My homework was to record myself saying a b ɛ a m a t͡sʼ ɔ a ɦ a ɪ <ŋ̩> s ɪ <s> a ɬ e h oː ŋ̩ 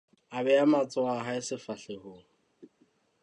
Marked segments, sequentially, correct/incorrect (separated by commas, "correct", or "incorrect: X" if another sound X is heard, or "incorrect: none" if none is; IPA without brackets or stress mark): incorrect: none, incorrect: f